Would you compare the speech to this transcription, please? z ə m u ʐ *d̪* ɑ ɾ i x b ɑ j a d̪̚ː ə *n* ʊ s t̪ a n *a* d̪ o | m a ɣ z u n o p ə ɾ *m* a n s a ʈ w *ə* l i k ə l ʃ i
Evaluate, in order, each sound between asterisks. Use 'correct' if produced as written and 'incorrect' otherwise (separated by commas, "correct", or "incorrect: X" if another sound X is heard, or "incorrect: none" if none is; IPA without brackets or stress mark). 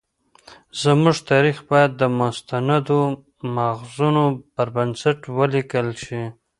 incorrect: t̪, incorrect: m, correct, incorrect: b, correct